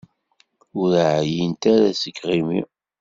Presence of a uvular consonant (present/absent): present